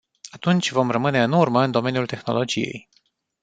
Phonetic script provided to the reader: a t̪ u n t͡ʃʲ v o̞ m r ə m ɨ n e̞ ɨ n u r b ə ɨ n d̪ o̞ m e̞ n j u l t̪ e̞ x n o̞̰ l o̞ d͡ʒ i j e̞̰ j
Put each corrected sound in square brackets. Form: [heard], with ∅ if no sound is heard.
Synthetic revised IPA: a t̪ u n t͡ʃʲ v o̞ m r ə m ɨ n e̞ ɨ n u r [m] ə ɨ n d̪ o̞ m e̞ n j u l t̪ e̞ x n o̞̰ l o̞ d͡ʒ i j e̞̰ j

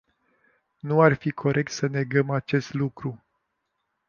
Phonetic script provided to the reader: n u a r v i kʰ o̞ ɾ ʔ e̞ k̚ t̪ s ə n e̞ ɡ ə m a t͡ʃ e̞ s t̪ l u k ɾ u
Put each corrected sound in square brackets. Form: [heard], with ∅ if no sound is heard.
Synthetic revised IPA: n u a r [f] i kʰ o̞ ɾ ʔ e̞ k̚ t̪ s ə n e̞ ɡ ə m a t͡ʃ e̞ s t̪ l u k ɾ u

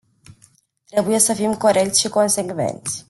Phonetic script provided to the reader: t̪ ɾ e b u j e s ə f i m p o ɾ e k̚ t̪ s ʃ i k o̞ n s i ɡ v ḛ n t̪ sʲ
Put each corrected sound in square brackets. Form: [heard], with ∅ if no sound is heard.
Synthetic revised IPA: t̪ ɾ e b u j e s ə f i m [k] o ɾ e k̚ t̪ s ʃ i k o̞ n s [e] ɡ v ḛ n t̪ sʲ

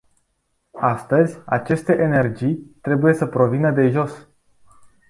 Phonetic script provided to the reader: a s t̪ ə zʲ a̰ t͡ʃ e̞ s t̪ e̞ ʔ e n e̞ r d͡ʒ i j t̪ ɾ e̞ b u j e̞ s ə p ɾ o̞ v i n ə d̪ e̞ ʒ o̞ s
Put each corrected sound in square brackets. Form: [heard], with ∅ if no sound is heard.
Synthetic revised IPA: a s t̪ ə zʲ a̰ t͡ʃ e̞ s t̪ e̞ ʔ e n e̞ r d͡ʒ i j t̪ ɾ e̞ b u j e̞ s ə p ɾ o̞ v i n ə d̪ e̞ ʒ o̞ s

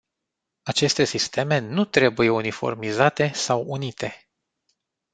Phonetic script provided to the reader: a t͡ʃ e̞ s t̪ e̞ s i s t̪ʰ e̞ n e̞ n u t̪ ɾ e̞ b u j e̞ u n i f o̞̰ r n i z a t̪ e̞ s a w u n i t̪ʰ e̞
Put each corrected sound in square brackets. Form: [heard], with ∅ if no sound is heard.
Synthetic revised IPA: a t͡ʃ e̞ s t̪ e̞ s i s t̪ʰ e̞ [m] e̞ n u t̪ ɾ e̞ b u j e̞ u n i f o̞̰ r [m] i z a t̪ e̞ s a w u n i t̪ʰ e̞

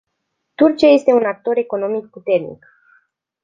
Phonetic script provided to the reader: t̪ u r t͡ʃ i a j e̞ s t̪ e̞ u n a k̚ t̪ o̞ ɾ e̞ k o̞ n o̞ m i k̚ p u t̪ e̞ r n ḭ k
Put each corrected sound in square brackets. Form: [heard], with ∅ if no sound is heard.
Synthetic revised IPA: t̪ u r t͡ʃ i a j e̞ s t̪ e̞ u n a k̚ t̪ o̞ ɾ e̞ k o̞ n o̞ m i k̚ p u t̪ e̞ r n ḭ k

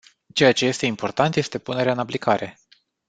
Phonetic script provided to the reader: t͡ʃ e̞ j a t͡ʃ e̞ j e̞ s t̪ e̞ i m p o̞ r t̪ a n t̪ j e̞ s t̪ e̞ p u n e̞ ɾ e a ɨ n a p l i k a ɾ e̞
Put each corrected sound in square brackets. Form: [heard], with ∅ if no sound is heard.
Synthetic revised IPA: t͡ʃ e̞ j a t͡ʃ e̞ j e̞ s t̪ e̞ i m p o̞ r t̪ a n t̪ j e̞ s t̪ e̞ p u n e̞ ɾ e a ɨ n a p l i k a ɾ e̞

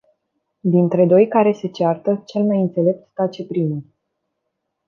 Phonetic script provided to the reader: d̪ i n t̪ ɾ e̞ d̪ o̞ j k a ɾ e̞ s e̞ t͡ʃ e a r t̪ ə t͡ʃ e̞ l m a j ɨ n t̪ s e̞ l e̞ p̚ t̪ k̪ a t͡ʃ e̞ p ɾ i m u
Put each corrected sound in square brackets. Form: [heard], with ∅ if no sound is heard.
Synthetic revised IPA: d̪ i n t̪ ɾ e̞ d̪ o̞ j k a ɾ e̞ s e̞ t͡ʃ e a r t̪ ə t͡ʃ e̞ l m a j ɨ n t̪ s e̞ l e̞ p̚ t̪ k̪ a t͡ʃ e̞ p ɾ i m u

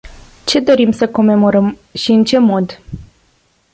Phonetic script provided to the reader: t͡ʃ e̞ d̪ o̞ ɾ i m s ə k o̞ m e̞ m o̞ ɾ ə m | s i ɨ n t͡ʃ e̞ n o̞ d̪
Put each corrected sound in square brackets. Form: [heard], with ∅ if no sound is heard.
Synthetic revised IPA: t͡ʃ e̞ d̪ o̞ ɾ i m s ə k o̞ m e̞ m o̞ ɾ ə m | [ʃ] i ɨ n t͡ʃ e̞ [m] o̞ d̪

